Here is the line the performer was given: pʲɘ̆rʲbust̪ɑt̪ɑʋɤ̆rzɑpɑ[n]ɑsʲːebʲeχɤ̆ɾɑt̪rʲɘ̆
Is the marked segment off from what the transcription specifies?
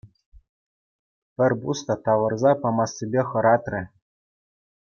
yes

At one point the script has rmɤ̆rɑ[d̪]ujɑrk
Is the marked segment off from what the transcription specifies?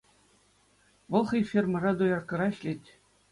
no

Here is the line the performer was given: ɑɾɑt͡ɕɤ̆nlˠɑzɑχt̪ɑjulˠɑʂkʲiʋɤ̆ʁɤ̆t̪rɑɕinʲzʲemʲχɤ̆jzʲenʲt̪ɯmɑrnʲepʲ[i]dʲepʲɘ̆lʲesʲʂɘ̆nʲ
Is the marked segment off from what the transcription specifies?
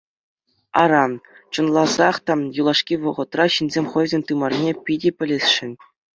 no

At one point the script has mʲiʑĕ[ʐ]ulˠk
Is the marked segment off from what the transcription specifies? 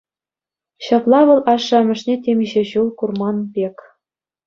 yes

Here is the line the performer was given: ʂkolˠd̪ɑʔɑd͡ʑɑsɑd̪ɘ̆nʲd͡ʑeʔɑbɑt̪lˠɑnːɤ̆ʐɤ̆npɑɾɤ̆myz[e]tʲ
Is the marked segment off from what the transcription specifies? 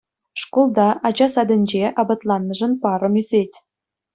no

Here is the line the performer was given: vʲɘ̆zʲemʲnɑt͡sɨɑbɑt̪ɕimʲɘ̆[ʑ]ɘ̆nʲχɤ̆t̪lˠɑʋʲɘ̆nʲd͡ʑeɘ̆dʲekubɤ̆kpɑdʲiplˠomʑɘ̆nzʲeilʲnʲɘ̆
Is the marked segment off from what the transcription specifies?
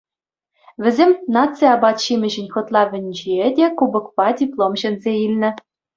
no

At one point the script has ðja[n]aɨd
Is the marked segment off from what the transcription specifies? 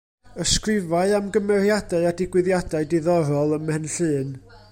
yes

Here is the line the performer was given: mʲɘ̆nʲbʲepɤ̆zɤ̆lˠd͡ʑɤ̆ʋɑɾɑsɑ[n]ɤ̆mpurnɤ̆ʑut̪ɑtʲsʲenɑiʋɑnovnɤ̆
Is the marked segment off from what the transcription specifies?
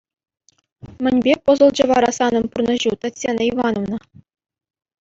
no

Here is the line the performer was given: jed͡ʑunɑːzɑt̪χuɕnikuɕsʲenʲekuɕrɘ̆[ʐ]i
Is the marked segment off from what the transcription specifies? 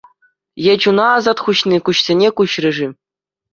no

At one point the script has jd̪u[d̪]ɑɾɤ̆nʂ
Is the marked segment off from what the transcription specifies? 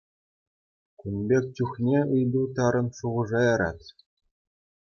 yes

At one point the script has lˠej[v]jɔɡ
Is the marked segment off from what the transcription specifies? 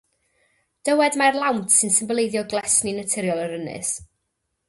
yes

